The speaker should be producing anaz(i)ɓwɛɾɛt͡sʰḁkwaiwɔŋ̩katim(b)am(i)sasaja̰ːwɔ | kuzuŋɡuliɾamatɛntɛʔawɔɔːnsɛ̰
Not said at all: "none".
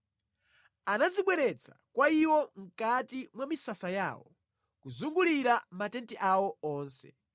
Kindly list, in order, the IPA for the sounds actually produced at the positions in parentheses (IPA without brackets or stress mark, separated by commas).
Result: i, w, i